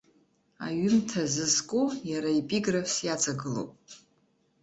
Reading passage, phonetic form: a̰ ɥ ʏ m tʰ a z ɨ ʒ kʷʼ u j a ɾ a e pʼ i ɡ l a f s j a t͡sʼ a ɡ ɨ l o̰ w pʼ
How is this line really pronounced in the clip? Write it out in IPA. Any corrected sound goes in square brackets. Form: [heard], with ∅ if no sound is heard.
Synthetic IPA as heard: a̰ ɥ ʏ m tʰ a z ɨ [z] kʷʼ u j a ɾ a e pʼ i ɡ [r] a f s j a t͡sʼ a ɡ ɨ l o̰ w pʼ